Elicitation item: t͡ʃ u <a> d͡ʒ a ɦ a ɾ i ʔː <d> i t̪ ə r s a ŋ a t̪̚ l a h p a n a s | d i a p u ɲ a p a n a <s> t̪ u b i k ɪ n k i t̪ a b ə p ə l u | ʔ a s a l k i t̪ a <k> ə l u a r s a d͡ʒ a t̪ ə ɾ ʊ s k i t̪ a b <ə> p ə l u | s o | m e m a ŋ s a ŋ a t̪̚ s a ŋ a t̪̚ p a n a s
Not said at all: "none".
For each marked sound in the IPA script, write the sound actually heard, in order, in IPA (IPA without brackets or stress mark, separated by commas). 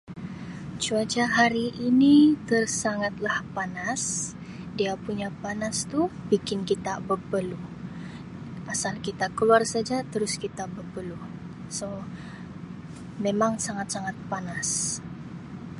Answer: a, n, s, k, ə